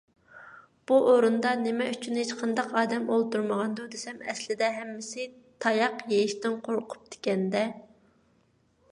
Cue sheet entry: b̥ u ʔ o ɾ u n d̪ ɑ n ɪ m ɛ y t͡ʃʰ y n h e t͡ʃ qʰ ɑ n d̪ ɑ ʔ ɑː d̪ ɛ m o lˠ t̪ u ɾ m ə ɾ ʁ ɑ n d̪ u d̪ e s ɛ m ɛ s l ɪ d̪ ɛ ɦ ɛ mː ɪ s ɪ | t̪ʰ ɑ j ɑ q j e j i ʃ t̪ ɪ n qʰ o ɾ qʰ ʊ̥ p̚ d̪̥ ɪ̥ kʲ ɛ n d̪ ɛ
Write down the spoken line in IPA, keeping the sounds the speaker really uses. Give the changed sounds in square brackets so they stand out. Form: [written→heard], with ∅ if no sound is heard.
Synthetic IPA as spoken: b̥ u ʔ o ɾ u n d̪ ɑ n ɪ m ɛ y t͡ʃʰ y n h e t͡ʃ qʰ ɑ n d̪ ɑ [ʔ→q] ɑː d̪ ɛ m o lˠ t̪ u ɾ m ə [ɾ→∅] ʁ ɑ n d̪ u d̪ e s ɛ m ɛ s l ɪ d̪ ɛ ɦ ɛ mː ɪ s ɪ | t̪ʰ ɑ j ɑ q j e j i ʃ t̪ ɪ n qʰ o ɾ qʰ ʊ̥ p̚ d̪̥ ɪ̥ kʲ ɛ n d̪ ɛ